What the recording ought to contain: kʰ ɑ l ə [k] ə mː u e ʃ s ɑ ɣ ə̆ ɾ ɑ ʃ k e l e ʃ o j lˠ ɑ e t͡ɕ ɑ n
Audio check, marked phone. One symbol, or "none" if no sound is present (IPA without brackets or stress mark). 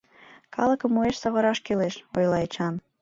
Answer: k